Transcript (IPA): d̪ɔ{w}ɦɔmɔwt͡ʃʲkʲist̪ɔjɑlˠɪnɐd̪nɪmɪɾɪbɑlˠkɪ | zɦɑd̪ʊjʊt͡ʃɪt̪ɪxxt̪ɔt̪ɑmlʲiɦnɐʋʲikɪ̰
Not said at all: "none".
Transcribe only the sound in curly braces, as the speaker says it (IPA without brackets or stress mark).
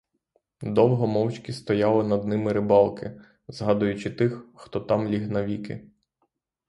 w